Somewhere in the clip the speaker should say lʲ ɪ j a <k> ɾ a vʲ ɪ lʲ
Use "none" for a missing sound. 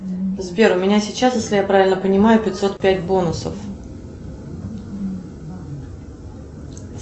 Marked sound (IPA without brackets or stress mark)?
p